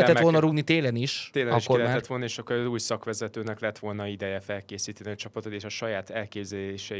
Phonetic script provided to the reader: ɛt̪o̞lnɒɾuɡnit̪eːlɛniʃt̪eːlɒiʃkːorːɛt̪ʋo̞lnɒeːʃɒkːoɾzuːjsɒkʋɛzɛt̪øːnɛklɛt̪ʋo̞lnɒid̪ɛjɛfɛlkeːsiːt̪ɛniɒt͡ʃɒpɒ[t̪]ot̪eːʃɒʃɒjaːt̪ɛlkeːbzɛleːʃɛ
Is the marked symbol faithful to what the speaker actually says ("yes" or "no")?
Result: yes